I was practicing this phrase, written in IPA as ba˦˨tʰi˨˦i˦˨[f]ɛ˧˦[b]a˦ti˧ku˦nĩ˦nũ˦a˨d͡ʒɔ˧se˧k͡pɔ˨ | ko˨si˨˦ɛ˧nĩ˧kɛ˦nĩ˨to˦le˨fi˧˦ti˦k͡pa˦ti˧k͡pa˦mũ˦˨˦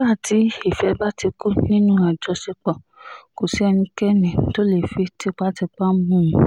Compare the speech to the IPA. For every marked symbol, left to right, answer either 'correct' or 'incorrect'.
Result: correct, correct

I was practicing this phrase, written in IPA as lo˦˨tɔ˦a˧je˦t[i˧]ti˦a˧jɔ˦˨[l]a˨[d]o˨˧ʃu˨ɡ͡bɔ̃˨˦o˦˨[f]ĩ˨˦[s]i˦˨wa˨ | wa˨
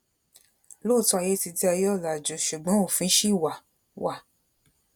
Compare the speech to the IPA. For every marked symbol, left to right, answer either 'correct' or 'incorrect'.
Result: correct, correct, incorrect, correct, incorrect

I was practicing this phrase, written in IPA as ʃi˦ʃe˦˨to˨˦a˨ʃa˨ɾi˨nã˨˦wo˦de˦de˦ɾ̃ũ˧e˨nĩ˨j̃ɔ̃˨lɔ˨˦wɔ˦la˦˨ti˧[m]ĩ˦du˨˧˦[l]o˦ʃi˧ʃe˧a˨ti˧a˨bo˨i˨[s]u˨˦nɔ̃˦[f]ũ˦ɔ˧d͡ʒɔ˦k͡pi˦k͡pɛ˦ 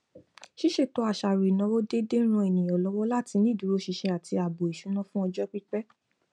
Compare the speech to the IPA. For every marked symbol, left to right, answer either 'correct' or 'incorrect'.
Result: incorrect, incorrect, incorrect, correct

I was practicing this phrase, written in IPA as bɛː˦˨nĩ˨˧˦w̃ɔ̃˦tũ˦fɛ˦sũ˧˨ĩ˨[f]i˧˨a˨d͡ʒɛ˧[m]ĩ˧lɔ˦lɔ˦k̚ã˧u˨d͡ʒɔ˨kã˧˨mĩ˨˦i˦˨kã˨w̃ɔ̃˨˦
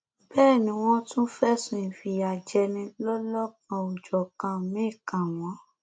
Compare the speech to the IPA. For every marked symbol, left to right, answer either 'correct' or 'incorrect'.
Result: correct, incorrect

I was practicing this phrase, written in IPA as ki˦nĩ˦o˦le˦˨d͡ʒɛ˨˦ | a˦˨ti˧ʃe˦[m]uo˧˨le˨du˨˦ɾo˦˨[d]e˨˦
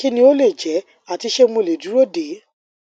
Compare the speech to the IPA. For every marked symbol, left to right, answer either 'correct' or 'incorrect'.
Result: correct, correct

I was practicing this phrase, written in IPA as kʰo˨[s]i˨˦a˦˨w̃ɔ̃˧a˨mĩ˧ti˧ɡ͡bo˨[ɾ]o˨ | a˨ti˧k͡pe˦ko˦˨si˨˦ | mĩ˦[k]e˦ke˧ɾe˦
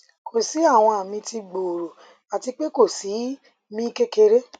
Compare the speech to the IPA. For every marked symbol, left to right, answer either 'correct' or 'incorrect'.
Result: correct, correct, correct

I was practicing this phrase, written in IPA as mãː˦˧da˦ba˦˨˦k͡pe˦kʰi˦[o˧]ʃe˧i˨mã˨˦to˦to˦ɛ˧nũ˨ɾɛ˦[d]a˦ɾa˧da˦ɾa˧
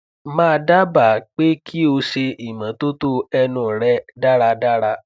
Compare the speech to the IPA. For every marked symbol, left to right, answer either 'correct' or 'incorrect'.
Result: correct, correct

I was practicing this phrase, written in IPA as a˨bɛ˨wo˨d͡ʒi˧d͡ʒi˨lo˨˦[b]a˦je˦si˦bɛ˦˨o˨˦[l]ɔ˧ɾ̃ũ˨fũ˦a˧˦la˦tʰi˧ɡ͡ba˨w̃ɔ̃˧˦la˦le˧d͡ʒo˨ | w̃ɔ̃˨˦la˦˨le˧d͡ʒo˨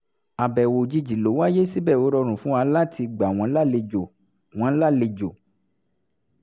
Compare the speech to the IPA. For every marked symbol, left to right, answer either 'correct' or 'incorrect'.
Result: incorrect, incorrect

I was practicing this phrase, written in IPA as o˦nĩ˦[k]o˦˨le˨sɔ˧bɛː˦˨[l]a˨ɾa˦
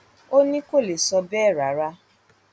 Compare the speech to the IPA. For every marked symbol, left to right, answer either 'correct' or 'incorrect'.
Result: correct, incorrect

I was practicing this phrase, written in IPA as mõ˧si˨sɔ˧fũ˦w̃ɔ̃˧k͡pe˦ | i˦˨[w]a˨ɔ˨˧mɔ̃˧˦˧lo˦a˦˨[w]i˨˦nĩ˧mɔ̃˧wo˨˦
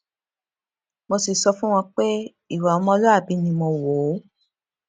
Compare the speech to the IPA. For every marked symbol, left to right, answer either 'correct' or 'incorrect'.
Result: correct, incorrect

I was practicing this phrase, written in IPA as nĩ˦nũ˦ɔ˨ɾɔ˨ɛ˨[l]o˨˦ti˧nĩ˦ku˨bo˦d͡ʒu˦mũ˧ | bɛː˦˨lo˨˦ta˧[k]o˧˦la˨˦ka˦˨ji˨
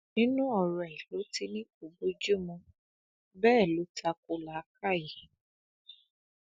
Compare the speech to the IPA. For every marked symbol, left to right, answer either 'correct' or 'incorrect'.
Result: correct, correct

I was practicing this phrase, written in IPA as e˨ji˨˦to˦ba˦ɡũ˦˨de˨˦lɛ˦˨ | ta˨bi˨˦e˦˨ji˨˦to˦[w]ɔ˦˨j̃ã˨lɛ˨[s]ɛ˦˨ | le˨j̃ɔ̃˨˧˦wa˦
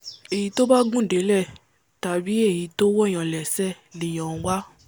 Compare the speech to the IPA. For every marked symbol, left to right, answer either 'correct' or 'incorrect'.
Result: correct, correct

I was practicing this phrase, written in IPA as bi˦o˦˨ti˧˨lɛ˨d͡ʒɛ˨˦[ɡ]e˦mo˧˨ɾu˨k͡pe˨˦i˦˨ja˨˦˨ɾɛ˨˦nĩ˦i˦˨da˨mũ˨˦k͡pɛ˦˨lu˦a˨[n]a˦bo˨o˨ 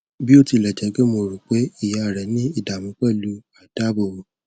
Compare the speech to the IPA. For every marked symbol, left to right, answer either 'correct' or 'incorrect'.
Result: correct, incorrect

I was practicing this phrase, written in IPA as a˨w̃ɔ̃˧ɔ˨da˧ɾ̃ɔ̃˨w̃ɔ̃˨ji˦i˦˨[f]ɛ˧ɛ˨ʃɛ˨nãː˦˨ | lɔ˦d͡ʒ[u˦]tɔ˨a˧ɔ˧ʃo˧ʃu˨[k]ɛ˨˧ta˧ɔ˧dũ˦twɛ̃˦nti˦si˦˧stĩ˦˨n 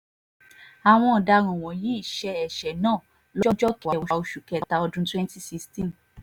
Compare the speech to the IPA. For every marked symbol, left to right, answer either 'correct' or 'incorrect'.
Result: incorrect, incorrect, correct

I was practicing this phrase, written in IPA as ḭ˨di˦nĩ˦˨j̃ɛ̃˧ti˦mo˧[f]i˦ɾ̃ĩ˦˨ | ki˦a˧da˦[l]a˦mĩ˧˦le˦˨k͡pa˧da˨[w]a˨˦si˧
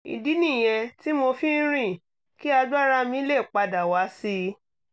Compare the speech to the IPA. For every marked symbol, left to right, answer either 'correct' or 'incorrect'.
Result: correct, incorrect, correct

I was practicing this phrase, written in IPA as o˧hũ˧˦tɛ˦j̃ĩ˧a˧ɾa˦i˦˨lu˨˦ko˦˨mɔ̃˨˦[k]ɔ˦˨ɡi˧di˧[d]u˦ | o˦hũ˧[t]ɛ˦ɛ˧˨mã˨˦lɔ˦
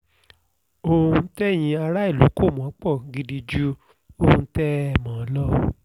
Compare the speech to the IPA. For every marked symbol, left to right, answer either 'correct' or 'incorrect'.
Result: incorrect, incorrect, correct

